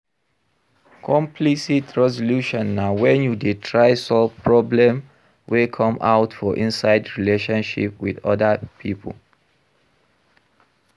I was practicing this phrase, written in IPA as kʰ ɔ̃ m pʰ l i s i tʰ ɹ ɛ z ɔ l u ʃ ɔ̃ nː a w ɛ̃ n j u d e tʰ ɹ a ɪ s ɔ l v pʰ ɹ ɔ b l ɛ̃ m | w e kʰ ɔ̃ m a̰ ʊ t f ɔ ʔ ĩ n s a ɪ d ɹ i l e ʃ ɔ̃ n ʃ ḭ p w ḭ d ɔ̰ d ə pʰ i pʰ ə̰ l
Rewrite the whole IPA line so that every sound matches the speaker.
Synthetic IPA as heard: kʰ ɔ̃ m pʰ l i s i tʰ ɹ ɛ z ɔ l u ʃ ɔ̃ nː a w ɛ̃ n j u d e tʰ ɹ a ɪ s ɔ l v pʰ ɹ ɔ b l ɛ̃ m | w e kʰ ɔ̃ m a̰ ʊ t f ɔ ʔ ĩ n s a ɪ d ɹ i l e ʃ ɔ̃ n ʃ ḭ p w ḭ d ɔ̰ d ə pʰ i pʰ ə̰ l